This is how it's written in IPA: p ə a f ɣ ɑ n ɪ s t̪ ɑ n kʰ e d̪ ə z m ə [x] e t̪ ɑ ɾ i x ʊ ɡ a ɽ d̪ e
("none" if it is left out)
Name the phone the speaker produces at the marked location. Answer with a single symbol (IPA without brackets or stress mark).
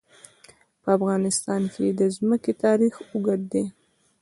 k